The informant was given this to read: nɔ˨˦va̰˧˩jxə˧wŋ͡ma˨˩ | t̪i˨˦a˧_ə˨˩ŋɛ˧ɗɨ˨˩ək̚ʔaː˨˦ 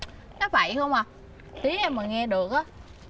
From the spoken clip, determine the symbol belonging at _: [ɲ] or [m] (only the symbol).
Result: m